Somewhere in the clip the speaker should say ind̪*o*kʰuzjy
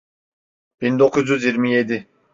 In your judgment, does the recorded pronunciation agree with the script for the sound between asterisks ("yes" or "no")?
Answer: yes